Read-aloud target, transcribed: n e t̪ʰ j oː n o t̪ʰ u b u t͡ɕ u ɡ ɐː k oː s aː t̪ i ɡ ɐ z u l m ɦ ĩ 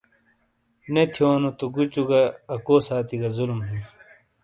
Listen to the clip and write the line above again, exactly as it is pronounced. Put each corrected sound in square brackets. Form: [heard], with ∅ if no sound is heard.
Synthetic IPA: n e t̪ʰ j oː n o [t̪] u [ɡ] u t͡ɕ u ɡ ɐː k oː s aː t̪ i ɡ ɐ z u l m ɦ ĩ